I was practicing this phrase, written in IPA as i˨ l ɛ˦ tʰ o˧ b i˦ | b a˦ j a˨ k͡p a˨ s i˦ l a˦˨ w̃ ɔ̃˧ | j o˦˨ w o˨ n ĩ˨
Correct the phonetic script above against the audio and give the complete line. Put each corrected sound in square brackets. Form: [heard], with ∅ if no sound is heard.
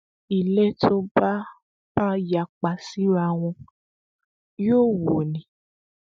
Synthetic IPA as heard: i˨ l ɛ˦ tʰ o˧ b [a˦] | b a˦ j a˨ k͡p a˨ s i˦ [ɾ] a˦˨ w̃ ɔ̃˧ | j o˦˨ w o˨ n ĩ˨